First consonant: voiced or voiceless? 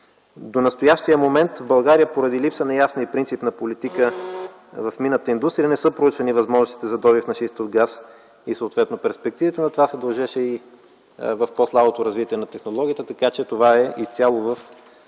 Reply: voiced